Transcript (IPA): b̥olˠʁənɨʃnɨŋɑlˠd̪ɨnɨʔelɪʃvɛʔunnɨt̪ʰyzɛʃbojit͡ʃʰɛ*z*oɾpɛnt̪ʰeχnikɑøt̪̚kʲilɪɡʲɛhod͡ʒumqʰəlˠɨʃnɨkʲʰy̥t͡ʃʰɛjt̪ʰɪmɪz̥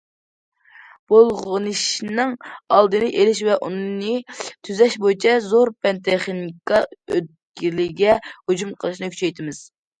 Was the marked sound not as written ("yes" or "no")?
no